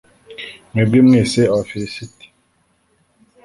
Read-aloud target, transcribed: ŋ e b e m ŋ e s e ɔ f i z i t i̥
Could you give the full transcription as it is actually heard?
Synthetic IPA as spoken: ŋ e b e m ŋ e s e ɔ f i s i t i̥